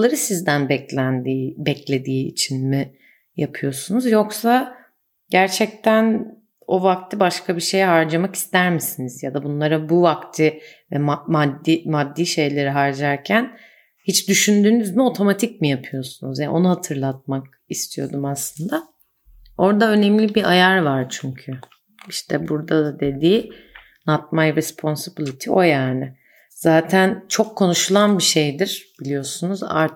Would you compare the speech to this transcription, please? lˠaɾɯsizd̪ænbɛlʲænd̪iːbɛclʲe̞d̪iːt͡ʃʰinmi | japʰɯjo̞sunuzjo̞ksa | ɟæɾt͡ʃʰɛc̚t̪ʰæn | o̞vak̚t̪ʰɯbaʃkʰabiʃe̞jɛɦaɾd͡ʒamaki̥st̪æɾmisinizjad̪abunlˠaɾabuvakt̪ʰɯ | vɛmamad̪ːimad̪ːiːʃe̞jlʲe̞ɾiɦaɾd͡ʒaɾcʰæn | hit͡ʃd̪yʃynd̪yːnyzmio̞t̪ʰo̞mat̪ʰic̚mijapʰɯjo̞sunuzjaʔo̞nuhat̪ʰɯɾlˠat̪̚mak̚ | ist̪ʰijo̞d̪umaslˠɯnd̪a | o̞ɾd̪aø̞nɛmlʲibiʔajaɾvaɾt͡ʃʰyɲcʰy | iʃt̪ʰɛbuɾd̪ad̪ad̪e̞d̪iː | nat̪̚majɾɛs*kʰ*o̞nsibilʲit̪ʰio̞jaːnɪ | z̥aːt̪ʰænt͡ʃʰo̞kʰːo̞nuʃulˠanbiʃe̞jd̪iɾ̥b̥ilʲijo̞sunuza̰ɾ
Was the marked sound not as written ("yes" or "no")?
yes